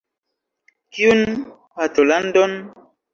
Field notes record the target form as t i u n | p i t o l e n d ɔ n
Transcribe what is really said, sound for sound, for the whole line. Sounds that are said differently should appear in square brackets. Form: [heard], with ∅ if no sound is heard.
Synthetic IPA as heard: [k] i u n | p [a] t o l [a] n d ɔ n